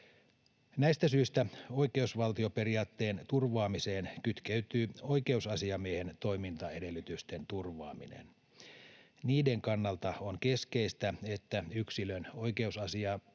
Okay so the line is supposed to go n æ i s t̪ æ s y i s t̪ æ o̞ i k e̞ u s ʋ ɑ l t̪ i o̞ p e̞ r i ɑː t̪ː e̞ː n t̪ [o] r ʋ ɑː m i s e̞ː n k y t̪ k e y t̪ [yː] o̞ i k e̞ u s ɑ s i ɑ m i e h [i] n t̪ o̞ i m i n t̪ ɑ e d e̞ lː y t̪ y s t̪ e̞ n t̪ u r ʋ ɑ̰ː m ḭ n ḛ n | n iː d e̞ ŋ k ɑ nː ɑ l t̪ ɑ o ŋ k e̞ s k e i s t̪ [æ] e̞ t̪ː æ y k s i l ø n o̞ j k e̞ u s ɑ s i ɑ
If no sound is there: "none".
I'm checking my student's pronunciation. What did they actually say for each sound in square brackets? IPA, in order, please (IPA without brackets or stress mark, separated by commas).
u, yː, e, æ